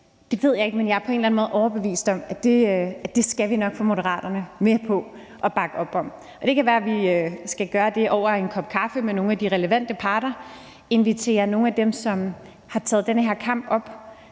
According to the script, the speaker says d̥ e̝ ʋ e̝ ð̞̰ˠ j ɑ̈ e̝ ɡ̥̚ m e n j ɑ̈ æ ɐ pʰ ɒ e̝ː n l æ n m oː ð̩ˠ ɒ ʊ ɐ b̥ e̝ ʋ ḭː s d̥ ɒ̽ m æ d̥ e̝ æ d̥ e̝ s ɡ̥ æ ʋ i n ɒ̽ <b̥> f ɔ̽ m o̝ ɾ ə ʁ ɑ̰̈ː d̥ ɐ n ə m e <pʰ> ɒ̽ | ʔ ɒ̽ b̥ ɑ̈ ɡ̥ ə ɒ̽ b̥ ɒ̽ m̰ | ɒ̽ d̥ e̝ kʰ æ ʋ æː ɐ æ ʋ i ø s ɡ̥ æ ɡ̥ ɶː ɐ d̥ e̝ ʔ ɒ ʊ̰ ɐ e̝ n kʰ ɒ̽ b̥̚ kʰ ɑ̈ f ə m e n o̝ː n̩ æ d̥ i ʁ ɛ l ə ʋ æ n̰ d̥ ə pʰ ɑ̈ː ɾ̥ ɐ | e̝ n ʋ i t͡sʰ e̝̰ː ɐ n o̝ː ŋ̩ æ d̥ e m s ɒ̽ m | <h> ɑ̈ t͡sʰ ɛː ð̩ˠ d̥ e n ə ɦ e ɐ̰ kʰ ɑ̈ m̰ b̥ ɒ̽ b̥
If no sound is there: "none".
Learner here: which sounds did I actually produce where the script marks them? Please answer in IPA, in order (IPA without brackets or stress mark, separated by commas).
ɡ̥, pʰ, h